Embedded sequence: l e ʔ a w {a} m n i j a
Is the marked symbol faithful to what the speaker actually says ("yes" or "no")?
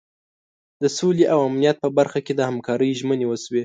yes